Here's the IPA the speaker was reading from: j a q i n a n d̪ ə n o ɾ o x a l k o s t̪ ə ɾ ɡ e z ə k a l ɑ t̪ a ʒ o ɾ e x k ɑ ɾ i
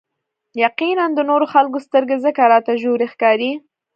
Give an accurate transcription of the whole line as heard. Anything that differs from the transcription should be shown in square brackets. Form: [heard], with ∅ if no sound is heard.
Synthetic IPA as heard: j a q i n a n d̪ ə n o ɾ o x a l k o s t̪ ə ɾ ɡ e z ə k a [ɾ] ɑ t̪ a ʒ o ɾ e x k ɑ ɾ i